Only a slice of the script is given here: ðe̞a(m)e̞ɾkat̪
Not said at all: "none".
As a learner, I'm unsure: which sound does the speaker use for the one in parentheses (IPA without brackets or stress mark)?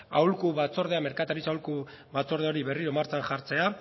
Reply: m